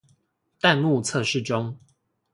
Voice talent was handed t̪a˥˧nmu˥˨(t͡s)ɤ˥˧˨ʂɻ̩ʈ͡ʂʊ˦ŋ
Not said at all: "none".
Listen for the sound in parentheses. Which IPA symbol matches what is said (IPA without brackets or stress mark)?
t͡sʰ